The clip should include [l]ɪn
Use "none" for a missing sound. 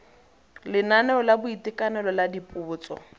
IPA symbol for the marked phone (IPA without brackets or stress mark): l